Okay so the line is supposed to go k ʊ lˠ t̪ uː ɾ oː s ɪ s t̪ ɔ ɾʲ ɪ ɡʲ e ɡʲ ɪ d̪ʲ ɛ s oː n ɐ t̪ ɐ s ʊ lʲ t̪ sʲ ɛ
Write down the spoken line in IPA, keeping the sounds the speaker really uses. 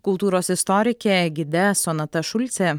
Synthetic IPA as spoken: k ʊ lˠ t̪ uː ɾ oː s ɪ s t̪ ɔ ɾʲ ɪ kʲ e ɡʲ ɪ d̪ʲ ɛ s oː n ɐ t̪ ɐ ʃ ʊ lʲ t̪ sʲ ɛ